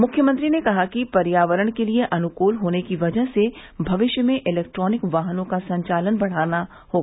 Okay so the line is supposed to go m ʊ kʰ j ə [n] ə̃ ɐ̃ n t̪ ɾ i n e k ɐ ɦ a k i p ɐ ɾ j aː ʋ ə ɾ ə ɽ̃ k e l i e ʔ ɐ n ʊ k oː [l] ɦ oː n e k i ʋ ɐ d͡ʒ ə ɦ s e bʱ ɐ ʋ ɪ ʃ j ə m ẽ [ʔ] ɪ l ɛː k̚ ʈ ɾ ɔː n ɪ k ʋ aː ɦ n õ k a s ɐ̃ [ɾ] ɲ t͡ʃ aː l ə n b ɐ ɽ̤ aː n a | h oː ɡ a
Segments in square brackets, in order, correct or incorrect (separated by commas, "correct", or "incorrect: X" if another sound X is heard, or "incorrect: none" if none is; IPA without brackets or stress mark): incorrect: m, correct, correct, incorrect: none